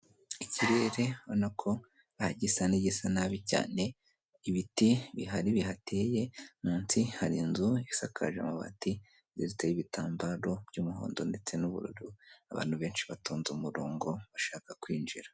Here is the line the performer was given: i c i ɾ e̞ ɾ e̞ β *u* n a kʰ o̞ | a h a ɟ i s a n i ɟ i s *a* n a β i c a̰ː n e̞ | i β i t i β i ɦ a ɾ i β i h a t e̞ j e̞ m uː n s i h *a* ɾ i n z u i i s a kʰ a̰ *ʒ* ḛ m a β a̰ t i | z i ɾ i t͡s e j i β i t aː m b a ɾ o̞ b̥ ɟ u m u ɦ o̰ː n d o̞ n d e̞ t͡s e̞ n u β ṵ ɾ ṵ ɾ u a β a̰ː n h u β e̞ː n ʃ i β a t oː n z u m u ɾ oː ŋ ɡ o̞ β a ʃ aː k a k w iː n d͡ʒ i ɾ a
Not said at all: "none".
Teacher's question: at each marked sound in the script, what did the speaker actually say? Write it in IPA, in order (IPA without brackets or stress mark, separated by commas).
o, a, a, ʒ